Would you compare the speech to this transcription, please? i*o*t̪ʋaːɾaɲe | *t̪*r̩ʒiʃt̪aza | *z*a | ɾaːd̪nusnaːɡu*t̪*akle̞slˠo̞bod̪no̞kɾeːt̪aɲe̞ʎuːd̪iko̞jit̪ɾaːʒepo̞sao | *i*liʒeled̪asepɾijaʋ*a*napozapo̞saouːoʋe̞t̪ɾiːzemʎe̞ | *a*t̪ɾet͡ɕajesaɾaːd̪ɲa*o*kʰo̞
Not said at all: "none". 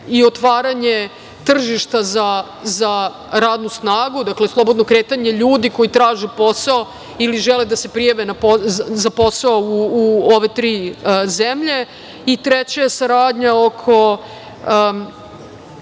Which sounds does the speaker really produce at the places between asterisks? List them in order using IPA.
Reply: o, t̪, z, d̪, i, e, i, o

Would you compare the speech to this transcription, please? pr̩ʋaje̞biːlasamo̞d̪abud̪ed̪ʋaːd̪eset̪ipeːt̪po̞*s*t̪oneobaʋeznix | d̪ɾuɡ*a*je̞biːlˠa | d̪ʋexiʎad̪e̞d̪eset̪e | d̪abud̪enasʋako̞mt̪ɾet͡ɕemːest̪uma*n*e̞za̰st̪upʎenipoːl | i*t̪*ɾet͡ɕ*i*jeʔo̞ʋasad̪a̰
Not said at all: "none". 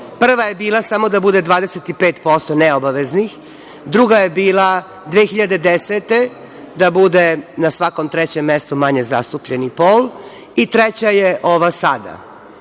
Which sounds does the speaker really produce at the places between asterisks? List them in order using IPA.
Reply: s, a, ɲ, t̪, a

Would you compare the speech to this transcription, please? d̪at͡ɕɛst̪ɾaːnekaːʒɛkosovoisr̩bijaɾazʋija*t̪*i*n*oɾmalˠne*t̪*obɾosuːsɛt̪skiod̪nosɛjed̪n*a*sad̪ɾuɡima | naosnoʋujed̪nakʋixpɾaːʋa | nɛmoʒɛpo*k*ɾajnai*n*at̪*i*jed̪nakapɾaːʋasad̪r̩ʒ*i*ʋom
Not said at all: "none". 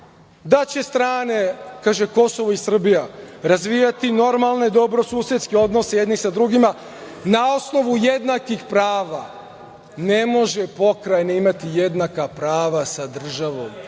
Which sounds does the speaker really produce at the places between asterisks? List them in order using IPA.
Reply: t̪, n, d̪, i, k, m, i, a

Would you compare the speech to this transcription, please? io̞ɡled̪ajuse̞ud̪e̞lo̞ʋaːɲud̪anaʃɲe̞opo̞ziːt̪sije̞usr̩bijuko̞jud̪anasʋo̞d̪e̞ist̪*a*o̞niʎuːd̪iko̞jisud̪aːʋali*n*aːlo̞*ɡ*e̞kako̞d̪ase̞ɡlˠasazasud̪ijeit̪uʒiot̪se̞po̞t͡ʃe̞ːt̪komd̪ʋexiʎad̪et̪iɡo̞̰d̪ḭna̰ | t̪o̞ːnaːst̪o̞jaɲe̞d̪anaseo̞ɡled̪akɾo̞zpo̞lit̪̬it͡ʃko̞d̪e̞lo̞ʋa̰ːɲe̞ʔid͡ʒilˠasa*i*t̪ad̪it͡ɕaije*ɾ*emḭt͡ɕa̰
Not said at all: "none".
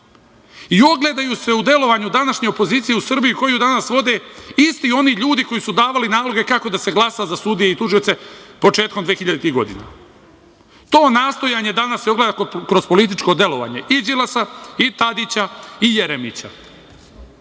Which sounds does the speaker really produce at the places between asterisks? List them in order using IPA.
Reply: i, n, ɡ, i, ɾ

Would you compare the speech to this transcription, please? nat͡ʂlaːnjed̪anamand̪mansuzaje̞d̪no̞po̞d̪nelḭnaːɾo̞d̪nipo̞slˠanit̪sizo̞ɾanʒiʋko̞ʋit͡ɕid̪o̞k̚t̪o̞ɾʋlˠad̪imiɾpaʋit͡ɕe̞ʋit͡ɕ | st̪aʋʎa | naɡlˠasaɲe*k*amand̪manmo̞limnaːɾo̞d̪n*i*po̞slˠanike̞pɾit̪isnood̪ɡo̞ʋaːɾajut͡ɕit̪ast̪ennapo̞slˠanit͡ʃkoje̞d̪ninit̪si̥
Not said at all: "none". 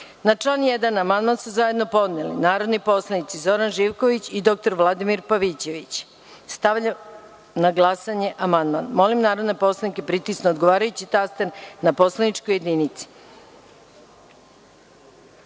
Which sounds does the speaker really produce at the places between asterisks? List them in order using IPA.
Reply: ʔ, e

